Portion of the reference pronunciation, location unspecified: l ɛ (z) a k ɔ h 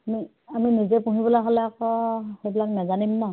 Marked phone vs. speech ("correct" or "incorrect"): incorrect